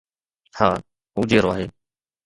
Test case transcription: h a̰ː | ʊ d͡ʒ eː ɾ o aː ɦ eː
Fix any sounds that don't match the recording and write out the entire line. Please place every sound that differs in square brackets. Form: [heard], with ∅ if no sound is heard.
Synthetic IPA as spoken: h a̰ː | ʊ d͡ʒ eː ɾ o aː ɦ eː